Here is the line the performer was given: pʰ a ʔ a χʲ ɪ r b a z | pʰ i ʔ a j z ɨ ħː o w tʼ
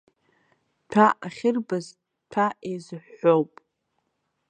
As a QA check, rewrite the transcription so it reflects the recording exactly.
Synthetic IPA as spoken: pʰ a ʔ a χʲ ɪ r b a z | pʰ a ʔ e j z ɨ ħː o w pʼ